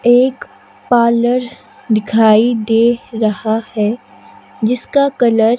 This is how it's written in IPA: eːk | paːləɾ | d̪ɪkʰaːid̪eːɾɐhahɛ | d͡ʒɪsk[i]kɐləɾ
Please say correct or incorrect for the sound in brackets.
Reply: incorrect